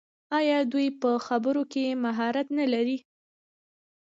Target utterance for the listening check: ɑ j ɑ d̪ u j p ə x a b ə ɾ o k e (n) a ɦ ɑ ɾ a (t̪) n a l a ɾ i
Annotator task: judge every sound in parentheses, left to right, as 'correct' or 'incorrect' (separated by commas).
incorrect, correct